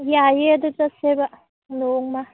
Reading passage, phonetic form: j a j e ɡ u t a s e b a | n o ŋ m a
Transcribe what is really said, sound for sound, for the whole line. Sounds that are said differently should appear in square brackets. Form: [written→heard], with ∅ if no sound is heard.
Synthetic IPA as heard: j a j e [ɡ→d] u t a s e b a | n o ŋ m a